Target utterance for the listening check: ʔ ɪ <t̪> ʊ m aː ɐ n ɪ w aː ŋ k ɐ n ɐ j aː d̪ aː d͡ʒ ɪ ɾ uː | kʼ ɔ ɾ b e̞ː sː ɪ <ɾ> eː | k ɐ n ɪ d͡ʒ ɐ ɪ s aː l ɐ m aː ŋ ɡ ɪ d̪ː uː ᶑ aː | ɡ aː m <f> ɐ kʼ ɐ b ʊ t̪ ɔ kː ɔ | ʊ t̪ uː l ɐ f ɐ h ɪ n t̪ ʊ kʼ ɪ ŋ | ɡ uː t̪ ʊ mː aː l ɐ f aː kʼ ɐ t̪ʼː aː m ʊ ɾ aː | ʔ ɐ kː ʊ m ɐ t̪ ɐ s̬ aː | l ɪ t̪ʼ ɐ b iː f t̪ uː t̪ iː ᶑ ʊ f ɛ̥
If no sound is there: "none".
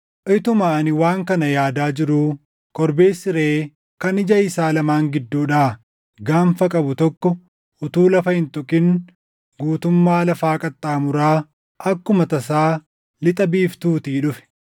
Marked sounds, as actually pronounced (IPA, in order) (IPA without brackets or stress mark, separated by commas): t̪, ɾ, f